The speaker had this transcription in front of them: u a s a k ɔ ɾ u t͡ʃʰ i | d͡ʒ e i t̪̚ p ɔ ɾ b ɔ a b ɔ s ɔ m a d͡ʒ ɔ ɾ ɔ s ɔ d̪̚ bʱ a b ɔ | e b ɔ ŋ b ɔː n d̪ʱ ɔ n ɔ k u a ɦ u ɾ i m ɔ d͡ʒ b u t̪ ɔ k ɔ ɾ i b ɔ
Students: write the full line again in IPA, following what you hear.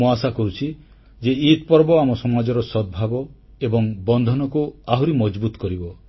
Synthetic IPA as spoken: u a s a k ɔ ɾ u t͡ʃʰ i | d͡ʒ e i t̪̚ p ɔ ɾ b ɔ a m ɔ s ɔ m a d͡ʒ ɔ ɾ ɔ s ɔ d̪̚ bʱ a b ɔ | e b ɔ ŋ b ɔ n d̪ʱ ɔ n ɔ k u a ɦ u ɾ i m ɔ d͡ʒ b u t̪ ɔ k ɔ ɾ i b ɔ